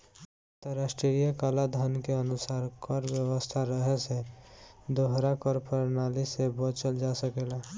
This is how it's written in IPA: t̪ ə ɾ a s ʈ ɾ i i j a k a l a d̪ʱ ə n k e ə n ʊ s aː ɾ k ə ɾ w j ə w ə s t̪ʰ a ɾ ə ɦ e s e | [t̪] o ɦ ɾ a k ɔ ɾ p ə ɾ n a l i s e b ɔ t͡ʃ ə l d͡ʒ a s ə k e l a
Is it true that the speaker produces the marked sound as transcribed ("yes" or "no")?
no